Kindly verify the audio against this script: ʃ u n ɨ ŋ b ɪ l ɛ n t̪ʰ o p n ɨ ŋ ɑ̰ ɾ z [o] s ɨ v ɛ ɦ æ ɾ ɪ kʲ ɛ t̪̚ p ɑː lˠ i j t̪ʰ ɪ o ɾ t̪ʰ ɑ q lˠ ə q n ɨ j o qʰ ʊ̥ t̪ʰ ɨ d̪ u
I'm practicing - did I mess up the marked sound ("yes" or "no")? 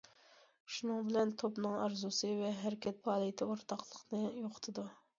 yes